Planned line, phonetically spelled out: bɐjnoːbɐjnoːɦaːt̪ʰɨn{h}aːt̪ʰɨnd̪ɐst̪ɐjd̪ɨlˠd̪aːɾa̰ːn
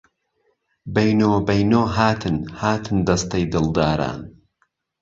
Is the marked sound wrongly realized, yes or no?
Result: no